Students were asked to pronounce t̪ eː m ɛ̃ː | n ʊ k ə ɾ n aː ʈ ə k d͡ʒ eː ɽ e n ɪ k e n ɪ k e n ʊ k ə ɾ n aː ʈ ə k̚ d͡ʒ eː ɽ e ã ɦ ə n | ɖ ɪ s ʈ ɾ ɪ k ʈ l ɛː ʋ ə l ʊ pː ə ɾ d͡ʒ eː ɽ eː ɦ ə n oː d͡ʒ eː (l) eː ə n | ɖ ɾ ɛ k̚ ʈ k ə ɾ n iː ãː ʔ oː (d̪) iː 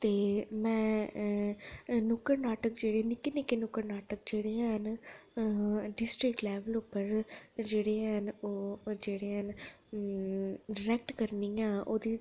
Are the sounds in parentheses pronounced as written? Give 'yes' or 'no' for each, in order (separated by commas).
no, yes